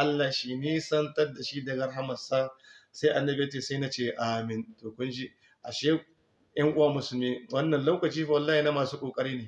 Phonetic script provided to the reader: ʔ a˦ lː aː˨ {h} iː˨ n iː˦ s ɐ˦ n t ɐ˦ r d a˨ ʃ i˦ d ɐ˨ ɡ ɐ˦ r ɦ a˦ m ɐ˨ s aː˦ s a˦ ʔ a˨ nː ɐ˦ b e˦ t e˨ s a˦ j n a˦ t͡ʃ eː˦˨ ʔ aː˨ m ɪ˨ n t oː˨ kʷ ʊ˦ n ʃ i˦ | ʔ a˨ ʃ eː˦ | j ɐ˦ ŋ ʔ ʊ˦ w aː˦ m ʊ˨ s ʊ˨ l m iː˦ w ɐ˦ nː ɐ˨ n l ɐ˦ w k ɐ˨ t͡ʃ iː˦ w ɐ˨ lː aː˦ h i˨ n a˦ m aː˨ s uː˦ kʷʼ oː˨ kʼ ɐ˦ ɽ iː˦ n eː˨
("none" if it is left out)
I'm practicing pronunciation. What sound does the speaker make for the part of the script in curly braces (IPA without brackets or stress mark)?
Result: ʃ